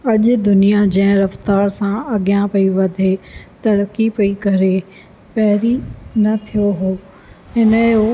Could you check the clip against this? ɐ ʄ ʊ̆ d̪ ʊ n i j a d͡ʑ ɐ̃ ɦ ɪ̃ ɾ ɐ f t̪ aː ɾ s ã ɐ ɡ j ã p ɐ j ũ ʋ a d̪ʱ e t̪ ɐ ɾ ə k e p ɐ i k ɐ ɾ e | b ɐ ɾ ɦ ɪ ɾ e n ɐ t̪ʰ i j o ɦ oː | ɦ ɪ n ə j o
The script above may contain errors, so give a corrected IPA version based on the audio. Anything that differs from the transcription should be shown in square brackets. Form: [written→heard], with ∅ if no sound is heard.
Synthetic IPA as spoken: ɐ ʄ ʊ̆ d̪ ʊ n i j a d͡ʑ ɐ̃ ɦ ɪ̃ ɾ ɐ f t̪ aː ɾ s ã ɐ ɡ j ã p ɐ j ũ ʋ [a→ɐ] d̪ʱ e t̪ ɐ ɾ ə k [e→i] p ɐ i k ɐ ɾ e | [b→p] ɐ [ɾ→∅] ɦ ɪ ɾ [e→i] n ɐ t̪ʰ i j o ɦ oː | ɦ ɪ n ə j o